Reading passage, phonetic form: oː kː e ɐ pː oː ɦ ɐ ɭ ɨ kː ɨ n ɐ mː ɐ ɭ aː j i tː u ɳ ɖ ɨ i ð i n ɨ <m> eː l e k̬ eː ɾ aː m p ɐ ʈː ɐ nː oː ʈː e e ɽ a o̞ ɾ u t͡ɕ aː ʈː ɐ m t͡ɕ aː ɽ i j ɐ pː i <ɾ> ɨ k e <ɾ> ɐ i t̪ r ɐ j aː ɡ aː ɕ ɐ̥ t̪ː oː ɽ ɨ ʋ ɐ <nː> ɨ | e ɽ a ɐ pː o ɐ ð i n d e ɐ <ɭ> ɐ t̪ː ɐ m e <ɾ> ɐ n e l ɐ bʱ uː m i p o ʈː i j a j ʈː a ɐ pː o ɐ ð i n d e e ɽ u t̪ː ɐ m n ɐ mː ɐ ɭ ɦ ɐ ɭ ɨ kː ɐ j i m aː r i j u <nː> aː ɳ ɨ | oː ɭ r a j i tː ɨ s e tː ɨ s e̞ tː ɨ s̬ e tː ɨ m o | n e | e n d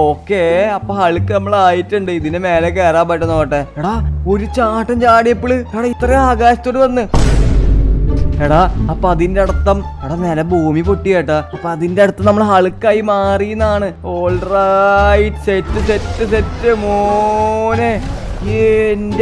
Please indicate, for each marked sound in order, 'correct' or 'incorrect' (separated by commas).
correct, incorrect, incorrect, correct, incorrect, incorrect, correct